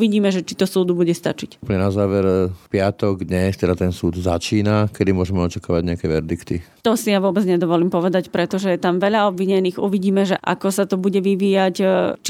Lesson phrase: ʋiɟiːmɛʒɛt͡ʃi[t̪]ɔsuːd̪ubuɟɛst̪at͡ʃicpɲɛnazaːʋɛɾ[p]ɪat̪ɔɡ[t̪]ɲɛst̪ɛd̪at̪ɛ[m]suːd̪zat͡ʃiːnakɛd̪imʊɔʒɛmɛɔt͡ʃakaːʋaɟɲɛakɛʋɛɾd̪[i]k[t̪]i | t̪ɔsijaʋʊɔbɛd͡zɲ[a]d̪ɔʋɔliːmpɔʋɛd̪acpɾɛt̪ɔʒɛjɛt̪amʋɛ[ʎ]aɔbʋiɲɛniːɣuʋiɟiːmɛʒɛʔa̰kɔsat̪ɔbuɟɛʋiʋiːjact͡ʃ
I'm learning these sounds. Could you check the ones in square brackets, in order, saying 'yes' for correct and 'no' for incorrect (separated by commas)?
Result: yes, yes, no, no, yes, yes, no, yes